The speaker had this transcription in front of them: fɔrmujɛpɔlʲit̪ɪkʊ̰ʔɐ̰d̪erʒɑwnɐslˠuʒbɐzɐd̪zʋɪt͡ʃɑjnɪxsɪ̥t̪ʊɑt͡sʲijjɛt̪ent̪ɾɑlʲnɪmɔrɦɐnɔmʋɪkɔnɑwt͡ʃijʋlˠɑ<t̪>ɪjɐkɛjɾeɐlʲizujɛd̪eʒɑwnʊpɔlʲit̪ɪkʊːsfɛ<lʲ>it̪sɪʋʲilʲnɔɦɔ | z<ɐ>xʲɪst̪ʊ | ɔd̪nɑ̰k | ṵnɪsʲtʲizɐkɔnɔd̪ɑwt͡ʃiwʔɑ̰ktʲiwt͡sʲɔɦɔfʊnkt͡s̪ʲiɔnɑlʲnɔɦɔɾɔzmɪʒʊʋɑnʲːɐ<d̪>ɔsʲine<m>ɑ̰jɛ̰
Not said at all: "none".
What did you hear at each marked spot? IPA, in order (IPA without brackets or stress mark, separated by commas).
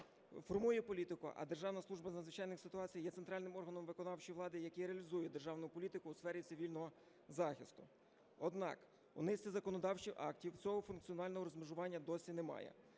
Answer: d̪, ɾʲ, ɑ, d̪, m